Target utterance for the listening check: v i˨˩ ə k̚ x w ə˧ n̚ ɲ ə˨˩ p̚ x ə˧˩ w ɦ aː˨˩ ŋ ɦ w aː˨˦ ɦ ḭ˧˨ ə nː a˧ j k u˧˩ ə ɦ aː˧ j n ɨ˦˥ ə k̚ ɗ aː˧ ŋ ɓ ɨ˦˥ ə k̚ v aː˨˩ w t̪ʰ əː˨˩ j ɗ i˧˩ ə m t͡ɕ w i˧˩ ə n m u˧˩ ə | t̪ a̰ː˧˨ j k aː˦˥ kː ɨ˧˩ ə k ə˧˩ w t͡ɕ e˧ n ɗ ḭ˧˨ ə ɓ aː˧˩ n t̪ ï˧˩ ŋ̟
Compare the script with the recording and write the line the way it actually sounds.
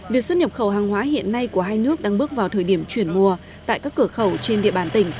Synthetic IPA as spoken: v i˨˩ ə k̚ s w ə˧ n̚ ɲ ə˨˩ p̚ x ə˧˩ w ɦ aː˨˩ ŋ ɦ w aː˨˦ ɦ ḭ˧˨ ə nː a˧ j k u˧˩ ə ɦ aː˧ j n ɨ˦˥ ə k̚ ɗ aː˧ ŋ ɓ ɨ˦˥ ə k̚ v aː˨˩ w t̪ʰ əː˨˩ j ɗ i˧˩ ə m t͡ɕ w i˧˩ ə n m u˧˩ ə | t̪ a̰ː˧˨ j k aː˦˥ kː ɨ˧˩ ə x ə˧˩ w t͡ɕ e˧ n ɗ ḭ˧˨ ə ɓ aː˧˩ n t̪ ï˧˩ ŋ̟

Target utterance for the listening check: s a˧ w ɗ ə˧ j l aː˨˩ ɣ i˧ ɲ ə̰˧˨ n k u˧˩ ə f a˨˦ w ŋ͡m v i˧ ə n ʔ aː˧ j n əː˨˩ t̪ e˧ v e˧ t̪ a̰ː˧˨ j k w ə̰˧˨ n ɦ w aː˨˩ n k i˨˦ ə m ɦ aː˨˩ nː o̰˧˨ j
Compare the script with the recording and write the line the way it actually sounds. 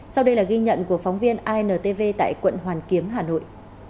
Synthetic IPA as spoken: s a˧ w ɗ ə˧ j l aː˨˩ ɣ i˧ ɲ ə̰˧˨ n k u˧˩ ə f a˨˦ w ŋ͡m v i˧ ə n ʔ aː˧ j n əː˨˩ t̪ e˧ v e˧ t̪ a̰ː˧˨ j k w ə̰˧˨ n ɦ w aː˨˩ n k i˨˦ ə m ɦ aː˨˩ n o̰˧˨ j

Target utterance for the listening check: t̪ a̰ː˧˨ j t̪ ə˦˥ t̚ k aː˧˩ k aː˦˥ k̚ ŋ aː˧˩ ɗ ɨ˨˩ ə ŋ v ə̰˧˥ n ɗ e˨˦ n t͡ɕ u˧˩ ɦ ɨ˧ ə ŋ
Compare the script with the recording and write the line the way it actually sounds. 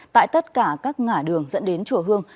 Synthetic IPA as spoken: t̪ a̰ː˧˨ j t̪ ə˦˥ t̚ k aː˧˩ k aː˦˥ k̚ ŋ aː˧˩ ɗ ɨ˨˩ ə ŋ z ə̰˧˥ n ɗ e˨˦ n t͡ɕ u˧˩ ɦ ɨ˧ ə ŋ

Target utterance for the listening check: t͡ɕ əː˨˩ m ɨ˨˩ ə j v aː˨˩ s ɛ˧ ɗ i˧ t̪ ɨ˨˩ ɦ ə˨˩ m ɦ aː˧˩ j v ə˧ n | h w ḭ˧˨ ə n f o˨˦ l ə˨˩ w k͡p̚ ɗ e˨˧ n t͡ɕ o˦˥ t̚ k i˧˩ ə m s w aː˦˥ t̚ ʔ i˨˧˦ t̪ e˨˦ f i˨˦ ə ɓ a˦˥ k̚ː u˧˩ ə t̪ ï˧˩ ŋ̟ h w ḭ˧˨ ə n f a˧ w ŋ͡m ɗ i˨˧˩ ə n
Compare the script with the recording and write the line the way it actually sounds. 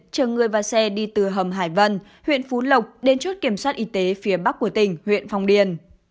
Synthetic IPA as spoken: t͡ɕ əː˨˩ ŋ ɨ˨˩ ə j v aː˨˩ s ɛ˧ ɗ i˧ t̪ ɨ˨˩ ɦ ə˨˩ m ɦ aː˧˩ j v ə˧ n | h w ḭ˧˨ ə n f u˨˦ l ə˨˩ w k͡p̚ ɗ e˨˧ n t͡ɕ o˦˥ t̚ k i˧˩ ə m s w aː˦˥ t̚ ʔ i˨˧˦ t̪ e˨˦ f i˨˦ ə ɓ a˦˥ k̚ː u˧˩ ə t̪ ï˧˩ ŋ̟ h w ḭ˧˨ ə n f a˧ w ŋ͡m ɗ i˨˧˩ ə n

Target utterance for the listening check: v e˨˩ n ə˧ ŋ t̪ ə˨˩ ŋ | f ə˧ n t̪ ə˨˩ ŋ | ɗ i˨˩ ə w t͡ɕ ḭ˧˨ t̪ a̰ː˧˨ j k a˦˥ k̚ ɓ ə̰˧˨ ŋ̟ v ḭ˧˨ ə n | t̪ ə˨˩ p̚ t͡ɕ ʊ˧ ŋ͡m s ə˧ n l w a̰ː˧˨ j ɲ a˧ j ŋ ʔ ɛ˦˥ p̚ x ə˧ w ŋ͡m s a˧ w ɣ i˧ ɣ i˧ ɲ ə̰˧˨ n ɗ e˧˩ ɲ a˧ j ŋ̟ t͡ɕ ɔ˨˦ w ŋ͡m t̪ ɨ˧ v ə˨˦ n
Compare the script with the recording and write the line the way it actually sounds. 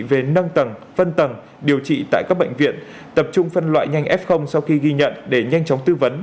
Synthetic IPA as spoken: v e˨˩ n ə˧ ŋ t̪ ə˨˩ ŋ | f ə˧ n t̪ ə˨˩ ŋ | ɗ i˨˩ ə w t͡ɕ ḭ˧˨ t̪ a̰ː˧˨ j k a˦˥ k̚ ɓ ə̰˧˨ ŋ̟ v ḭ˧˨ ə n | t̪ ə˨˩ p̚ t͡ɕ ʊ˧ ŋ͡m f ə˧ n l w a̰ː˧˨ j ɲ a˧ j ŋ ʔ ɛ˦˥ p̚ x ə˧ w ŋ͡m s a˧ w x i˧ ɣ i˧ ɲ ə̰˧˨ n ɗ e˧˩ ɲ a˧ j ŋ̟ t͡ɕ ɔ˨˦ w ŋ͡m t̪ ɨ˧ v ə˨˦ n

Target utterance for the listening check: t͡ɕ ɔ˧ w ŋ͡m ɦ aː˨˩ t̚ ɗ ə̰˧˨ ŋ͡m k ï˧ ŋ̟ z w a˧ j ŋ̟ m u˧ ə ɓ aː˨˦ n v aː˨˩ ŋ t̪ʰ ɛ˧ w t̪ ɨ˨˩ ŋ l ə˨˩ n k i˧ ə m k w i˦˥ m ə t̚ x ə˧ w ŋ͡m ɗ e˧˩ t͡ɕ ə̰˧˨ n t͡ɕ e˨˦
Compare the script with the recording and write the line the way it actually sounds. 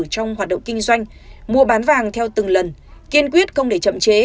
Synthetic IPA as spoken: t͡ɕ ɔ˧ w ŋ͡m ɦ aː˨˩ t̚ ɗ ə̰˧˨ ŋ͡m k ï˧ ŋ̟ z w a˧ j ŋ̟ m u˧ ə ɓ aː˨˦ n v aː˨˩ ŋ t̪ʰ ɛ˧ w t̪ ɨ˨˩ ŋ l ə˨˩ n k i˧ ə n k w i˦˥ ə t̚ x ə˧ w ŋ͡m ɗ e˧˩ t͡ɕ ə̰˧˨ m t͡ɕ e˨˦

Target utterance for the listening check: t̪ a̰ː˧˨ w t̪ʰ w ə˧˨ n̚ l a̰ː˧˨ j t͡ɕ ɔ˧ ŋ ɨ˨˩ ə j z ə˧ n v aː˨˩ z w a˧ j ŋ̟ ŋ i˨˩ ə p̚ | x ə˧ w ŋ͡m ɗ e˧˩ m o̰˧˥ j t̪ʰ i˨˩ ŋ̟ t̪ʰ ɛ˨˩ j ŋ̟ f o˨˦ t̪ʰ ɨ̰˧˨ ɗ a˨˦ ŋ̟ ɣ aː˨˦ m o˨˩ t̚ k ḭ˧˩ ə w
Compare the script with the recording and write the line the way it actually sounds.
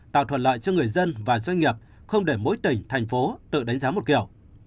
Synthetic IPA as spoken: t̪ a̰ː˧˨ w t̪ʰ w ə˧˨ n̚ l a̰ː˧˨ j t͡ɕ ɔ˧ ŋ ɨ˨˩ ə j z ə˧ n v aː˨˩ z w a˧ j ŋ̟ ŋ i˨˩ ə p̚ | x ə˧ w ŋ͡m ɗ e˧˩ m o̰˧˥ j t̪ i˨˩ ŋ̟ t̪ʰ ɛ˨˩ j ŋ̟ f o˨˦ t̪ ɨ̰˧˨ ɗ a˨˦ ŋ̟ z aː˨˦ m o˨˩ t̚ k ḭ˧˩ ə w

